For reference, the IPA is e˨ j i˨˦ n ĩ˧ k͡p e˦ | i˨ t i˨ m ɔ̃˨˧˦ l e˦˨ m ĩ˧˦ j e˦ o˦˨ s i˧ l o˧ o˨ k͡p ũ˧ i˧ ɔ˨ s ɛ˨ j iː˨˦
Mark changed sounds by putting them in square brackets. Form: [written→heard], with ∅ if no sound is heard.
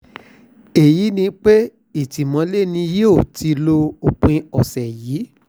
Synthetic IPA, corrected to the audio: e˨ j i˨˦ n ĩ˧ k͡p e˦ | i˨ t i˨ m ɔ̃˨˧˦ l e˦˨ [m→n] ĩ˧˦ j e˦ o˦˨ [s→t] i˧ l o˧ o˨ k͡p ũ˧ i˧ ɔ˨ s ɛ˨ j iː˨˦